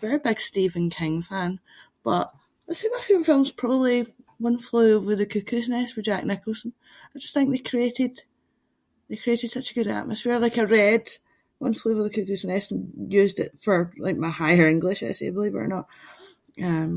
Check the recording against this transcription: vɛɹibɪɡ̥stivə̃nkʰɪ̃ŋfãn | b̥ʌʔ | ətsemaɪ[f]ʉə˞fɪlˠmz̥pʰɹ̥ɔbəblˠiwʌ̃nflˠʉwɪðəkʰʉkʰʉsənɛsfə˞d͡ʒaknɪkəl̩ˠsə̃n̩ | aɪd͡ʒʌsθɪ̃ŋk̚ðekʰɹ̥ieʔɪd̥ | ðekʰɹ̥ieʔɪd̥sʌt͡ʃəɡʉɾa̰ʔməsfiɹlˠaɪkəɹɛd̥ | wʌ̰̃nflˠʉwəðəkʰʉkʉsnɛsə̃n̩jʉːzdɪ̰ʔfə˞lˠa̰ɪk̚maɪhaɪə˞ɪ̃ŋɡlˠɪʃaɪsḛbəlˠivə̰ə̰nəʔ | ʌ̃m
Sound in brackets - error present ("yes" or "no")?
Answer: no